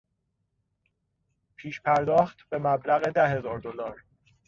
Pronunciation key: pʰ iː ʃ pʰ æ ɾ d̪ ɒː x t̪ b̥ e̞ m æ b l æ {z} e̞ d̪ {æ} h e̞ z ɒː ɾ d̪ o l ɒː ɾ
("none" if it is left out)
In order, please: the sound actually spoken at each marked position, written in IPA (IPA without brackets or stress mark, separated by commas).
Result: ɣ, æ